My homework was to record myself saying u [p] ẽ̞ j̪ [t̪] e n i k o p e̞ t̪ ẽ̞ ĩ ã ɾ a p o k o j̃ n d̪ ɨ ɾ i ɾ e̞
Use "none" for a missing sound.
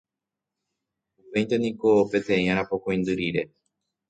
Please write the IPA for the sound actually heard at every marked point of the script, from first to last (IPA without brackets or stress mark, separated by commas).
p, t̪